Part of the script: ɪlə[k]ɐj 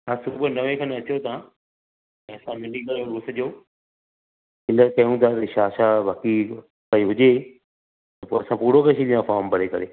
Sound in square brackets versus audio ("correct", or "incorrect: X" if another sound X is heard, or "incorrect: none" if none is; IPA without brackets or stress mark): correct